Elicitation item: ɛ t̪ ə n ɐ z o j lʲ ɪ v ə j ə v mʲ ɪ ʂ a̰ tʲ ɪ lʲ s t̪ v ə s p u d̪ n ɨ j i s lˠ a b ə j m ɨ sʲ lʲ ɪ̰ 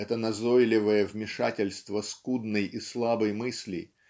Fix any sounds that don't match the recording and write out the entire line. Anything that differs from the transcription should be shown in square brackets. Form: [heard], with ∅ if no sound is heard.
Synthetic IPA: ɛ t̪ ə n ɐ z o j lʲ ɪ v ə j ə v mʲ ɪ ʂ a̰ tʲ ɪ lʲ s t̪ v ə s [k] u d̪ n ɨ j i s lˠ a b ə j m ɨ sʲ lʲ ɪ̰

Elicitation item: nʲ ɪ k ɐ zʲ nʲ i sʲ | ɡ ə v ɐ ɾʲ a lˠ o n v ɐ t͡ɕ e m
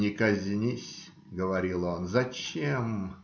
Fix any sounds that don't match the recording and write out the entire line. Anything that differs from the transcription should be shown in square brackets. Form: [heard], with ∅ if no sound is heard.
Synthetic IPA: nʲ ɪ k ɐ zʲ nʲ i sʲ | ɡ ə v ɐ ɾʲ [i] lˠ o n [z] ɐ t͡ɕ e m

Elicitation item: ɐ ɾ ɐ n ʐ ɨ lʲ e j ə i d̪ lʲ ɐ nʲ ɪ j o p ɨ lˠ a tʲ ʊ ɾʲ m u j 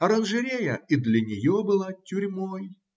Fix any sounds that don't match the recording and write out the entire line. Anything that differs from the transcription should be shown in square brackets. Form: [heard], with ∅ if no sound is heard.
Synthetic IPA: ɐ ɾ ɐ n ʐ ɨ [ɾʲ] e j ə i d̪ lʲ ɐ nʲ ɪ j o [b] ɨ lˠ a tʲ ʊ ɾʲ m [o] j

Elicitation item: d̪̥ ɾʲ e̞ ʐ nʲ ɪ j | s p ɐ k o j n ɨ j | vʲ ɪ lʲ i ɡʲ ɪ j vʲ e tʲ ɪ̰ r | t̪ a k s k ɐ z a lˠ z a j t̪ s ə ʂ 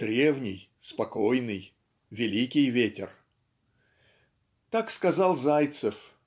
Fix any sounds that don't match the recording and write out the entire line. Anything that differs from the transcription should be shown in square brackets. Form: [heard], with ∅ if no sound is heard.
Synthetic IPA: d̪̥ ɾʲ e̞ [v] nʲ ɪ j | s p ɐ k o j n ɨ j | vʲ ɪ lʲ i [kʲ] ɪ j vʲ e tʲ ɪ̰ r | t̪ a k s k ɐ z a lˠ z a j t̪ s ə [f]

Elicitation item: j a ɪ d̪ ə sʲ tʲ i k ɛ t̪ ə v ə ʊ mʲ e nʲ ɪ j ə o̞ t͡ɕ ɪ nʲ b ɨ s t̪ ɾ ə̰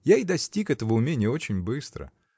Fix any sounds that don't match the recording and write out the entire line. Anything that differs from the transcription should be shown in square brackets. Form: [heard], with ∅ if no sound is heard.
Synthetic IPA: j a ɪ d̪ [ɐ] sʲ tʲ i k ɛ t̪ ə v ə ʊ mʲ e nʲ ɪ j ə o̞ t͡ɕ ɪ nʲ b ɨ s t̪ ɾ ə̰

